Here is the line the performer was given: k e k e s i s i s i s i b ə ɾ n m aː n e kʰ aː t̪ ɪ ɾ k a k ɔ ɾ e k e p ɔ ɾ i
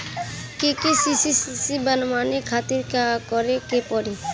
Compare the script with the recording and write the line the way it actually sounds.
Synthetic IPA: k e k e s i s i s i s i b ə n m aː n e kʰ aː t̪ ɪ ɾ k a k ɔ ɾ e k e p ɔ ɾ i